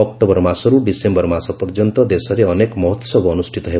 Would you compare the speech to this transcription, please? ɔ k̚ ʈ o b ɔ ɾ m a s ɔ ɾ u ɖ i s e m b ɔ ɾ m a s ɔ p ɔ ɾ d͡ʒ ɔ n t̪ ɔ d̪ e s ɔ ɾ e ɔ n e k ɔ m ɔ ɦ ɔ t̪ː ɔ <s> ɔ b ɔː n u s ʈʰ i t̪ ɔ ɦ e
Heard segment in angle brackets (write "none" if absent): s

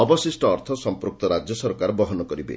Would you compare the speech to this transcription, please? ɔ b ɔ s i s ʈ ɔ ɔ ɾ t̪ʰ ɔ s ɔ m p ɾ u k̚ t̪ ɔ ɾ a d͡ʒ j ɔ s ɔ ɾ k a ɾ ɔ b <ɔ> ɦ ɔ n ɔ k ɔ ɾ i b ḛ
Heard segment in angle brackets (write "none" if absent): ɔ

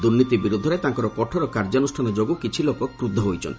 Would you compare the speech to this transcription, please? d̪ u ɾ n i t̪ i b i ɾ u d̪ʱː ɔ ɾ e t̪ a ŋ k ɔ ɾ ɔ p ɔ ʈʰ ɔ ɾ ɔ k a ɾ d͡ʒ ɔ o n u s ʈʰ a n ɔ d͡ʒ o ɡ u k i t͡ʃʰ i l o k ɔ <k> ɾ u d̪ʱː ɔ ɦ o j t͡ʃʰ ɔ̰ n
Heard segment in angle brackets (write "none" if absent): k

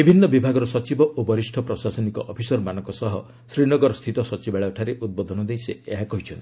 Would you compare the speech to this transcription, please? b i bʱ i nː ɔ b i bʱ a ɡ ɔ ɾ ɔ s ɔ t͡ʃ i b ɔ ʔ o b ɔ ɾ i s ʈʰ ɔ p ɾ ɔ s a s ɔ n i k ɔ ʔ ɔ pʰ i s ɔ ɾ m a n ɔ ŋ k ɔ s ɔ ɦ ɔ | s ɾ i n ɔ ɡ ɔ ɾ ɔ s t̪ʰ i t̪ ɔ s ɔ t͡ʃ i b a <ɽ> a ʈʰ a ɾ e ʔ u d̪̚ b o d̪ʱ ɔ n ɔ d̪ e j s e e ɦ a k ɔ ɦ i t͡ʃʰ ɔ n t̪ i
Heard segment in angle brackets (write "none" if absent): ɭ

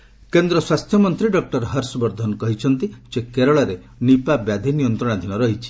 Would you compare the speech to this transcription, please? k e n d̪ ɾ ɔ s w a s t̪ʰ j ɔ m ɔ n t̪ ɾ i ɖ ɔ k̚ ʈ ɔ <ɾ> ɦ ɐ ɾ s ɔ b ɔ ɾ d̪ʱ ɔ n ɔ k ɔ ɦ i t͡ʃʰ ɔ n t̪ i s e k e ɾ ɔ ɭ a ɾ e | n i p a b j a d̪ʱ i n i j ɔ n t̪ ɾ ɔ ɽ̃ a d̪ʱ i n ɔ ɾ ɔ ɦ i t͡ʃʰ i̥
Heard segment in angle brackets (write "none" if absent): ɾ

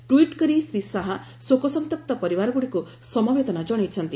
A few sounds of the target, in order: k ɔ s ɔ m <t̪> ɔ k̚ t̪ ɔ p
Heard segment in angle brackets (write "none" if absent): t̪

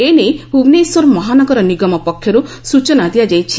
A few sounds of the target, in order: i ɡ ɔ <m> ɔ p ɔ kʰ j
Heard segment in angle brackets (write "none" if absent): m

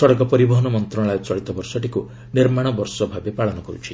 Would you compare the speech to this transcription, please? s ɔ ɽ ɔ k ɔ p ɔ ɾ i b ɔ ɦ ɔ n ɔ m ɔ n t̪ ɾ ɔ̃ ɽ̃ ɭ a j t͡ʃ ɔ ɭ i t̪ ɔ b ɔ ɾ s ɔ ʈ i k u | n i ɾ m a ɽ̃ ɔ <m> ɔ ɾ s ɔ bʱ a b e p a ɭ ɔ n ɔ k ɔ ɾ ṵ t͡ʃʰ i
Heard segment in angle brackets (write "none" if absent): b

